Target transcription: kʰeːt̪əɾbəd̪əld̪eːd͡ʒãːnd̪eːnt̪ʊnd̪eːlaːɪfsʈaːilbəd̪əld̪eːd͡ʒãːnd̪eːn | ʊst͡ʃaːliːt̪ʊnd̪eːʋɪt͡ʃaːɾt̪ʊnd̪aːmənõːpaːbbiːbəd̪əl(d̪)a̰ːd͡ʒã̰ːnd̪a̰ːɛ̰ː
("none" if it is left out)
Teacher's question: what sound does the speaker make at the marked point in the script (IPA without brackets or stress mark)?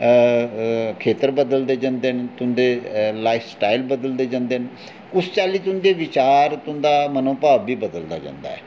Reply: d̪